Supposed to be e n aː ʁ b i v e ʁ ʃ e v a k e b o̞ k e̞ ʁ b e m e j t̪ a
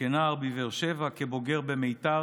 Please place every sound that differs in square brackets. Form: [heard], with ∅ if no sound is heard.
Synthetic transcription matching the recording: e n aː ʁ b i v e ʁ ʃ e v a k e b o̞ [ɡ] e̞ ʁ b e m e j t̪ a